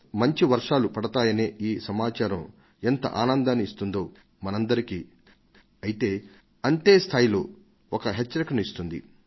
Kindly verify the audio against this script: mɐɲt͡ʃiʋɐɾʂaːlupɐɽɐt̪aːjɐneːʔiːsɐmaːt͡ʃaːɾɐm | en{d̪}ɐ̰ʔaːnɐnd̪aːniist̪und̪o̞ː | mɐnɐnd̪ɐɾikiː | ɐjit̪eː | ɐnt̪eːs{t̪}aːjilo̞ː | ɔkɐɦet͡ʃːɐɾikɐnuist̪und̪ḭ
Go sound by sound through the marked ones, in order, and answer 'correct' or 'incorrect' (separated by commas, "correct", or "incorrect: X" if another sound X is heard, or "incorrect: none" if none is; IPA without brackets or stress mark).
incorrect: t̪, incorrect: t̪ʰ